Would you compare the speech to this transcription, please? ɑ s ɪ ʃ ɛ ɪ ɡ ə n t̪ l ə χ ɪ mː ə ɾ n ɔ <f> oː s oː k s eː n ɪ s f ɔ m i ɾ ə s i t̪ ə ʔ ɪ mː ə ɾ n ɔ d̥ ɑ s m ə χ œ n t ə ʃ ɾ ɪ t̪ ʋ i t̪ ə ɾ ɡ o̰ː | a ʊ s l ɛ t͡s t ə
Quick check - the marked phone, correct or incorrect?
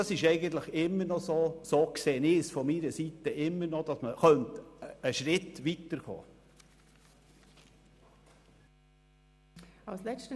incorrect